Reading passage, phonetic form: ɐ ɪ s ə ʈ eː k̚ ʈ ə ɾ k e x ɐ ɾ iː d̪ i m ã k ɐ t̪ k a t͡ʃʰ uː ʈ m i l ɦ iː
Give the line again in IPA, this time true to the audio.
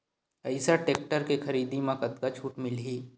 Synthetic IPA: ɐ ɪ s a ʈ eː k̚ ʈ ə ɾ k e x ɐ ɾ iː d̪ i m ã k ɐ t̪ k a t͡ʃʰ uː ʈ m ɪ l ɦ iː

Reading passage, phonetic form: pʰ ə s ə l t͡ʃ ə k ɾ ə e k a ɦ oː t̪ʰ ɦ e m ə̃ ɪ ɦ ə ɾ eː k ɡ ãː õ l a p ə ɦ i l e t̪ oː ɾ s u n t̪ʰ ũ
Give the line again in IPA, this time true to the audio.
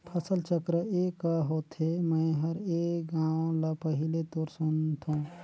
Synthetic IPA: pʰ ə s ə l t͡ʃ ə k ɾ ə e k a ɦ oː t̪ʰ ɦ e m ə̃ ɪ ɦ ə ɾ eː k ɡ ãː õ l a p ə ɦ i l e t̪ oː ɾ s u n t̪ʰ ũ

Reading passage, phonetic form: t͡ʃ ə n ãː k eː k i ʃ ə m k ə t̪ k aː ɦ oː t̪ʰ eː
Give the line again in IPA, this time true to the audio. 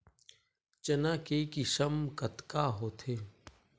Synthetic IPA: t͡ʃ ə n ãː k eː k i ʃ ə m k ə t̪ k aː ɦ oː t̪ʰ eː

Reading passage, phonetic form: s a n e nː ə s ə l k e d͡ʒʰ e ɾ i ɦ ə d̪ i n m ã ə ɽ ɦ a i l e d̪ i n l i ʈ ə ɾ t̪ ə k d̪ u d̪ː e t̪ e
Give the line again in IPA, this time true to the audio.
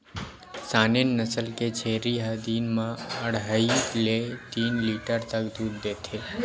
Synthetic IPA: s a n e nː ə s ə l k e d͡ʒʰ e ɾ i ɦ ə d̪ i n m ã ə ɽ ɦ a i l e t̪ i n l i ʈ ə ɾ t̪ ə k d̪ u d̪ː e t̪ʰ e

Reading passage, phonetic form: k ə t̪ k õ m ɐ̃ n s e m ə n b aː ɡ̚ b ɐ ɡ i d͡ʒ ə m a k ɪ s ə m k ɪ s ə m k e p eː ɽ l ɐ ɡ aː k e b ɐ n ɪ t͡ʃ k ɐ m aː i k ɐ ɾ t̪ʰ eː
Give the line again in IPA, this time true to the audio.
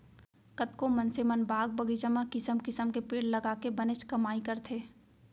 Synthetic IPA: k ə t̪ k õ m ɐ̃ n s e m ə n b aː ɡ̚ b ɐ ɡ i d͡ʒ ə m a k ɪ s ə m k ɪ s ə m k e p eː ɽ l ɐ ɡ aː k e b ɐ n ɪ t͡ʃ k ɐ m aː i k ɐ ɾ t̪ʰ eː

